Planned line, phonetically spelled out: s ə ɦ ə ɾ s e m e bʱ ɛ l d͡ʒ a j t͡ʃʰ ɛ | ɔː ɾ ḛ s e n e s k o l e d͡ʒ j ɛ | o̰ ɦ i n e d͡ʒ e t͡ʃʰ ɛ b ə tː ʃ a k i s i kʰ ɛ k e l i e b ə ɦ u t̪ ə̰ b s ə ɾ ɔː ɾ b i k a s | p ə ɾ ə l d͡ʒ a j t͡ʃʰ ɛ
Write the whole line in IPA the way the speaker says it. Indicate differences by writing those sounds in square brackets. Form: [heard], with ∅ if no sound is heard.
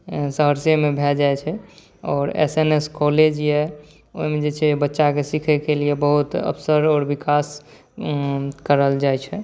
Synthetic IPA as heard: s ə ɦ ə ɾ s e m e bʱ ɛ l d͡ʒ a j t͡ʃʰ ɛ | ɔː ɾ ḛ s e n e s k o l e d͡ʒ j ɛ | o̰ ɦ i [m] e d͡ʒ e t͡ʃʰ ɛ b ə tː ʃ a k [e] s i kʰ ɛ k e l i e b ə ɦ u t̪ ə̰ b s ə ɾ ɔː ɾ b i k a s | [k] ə ɾ ə l d͡ʒ a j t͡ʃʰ ɛ